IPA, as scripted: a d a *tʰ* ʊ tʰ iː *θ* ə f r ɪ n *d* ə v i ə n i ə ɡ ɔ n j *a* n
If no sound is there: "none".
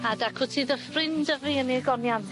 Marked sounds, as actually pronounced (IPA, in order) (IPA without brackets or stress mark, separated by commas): kʰ, ð, d, a